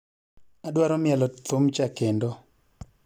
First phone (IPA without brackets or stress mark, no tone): a